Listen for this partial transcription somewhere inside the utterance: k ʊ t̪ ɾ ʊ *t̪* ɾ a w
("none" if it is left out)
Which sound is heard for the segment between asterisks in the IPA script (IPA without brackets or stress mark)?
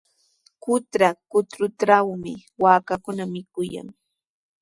t̪